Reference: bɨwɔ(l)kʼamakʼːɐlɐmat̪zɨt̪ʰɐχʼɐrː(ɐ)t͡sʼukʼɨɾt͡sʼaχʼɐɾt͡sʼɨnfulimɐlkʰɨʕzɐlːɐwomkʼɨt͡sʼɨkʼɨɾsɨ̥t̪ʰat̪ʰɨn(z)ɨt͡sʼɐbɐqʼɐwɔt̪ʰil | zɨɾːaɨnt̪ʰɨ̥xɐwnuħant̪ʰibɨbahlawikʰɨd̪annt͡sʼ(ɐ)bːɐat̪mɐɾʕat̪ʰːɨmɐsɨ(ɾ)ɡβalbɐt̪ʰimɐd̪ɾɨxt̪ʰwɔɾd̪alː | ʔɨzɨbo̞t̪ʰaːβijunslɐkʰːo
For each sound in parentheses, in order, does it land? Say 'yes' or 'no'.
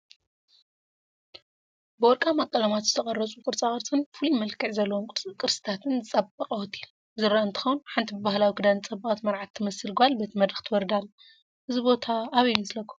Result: no, yes, yes, yes, no

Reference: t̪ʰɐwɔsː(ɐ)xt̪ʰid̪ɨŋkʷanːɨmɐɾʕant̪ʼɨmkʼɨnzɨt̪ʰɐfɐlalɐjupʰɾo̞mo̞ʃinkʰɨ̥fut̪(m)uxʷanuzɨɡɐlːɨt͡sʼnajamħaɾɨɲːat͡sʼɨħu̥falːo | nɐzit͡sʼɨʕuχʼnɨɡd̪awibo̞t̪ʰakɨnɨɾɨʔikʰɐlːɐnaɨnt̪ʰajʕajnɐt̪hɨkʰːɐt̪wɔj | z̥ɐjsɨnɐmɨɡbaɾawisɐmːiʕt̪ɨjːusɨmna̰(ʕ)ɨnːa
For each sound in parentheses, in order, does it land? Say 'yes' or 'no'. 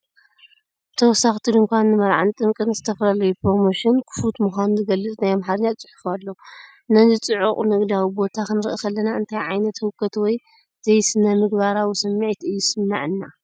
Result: no, yes, yes

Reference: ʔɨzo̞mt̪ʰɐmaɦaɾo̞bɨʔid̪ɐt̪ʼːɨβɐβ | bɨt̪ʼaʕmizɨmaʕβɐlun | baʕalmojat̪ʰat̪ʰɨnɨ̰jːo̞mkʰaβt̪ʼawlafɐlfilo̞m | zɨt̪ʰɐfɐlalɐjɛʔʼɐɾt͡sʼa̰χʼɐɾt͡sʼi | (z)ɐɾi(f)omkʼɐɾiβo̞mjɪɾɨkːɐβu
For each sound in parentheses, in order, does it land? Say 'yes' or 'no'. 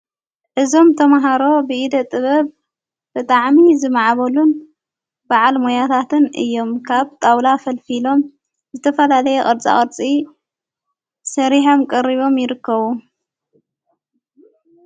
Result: no, no

